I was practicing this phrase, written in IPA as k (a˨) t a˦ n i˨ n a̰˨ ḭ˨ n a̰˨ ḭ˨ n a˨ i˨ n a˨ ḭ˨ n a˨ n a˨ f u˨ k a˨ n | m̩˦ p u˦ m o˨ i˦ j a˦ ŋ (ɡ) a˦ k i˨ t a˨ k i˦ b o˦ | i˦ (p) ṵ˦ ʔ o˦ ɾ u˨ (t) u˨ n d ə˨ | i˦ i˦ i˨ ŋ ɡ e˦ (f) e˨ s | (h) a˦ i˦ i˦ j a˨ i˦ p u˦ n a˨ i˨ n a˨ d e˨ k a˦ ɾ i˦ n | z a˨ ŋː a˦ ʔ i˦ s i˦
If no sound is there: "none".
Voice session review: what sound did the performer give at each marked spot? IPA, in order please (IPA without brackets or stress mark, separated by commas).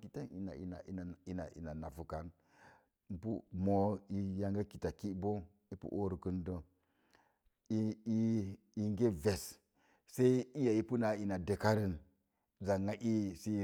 i˨, ɡ, p, k, v, s